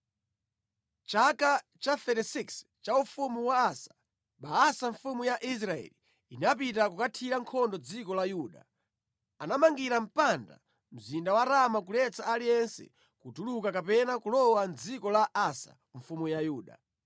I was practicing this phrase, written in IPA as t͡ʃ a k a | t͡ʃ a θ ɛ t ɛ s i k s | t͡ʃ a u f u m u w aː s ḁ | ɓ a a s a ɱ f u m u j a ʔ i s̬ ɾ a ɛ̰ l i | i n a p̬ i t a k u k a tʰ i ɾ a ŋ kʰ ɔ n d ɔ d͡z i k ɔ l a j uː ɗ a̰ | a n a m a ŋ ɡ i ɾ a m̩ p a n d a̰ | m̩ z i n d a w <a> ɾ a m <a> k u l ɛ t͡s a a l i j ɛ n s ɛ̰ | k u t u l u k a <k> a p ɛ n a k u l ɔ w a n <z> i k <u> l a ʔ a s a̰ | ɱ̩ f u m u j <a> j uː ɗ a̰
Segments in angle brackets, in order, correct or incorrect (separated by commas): correct, correct, correct, incorrect, incorrect, correct